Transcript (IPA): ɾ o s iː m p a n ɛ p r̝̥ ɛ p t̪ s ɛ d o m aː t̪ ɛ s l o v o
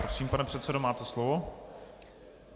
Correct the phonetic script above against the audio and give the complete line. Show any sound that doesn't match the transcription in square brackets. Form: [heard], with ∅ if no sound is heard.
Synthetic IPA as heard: ɾ o s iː m p a n ɛ p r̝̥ ɛ [∅] t̪ s ɛ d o m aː t̪ ɛ s l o v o